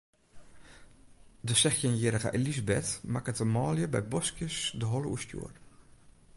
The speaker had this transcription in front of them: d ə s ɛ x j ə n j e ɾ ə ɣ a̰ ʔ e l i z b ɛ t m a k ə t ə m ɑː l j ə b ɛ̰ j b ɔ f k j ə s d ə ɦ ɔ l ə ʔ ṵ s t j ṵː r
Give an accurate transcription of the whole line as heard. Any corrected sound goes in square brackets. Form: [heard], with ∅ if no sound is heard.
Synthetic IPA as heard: d ə s ɛ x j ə n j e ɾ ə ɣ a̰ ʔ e l i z b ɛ t m a k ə t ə m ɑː l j ə b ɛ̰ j b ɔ [s] k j ə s d ə ɦ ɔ l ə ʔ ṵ s t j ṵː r